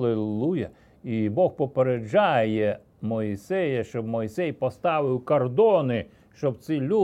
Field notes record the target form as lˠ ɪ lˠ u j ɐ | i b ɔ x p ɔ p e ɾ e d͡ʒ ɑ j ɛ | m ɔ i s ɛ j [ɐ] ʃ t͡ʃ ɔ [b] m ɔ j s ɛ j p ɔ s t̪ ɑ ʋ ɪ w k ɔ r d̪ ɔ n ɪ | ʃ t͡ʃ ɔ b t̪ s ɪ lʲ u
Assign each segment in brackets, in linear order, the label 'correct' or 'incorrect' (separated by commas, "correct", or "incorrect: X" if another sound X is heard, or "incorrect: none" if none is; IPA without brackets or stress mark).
correct, correct